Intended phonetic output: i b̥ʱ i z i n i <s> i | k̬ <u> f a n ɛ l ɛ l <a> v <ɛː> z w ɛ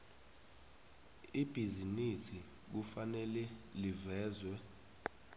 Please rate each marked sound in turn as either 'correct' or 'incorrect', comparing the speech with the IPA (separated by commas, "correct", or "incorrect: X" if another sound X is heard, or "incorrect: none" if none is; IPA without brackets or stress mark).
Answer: correct, correct, incorrect: i, correct